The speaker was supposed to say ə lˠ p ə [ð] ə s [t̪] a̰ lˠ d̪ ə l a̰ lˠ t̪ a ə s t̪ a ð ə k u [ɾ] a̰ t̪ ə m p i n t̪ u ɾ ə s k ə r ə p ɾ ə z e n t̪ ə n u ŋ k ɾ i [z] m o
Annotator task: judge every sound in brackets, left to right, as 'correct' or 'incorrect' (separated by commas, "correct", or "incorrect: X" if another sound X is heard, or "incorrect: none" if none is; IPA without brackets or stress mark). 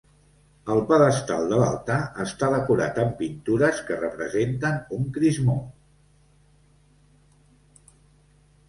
correct, correct, correct, correct